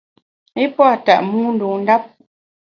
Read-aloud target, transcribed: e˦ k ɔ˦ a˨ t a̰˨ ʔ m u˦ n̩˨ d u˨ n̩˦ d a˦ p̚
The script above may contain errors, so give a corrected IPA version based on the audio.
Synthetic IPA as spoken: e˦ p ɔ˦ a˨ t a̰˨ ʔ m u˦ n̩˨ d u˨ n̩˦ d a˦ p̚